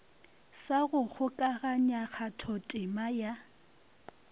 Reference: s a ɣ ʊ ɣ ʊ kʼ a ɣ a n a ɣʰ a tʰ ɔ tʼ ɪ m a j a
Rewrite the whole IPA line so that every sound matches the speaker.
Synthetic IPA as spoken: s a ɣ ʊ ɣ ʊ kʼ a ɣ a ɲ a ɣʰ a tʰ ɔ tʼ ɪ m a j a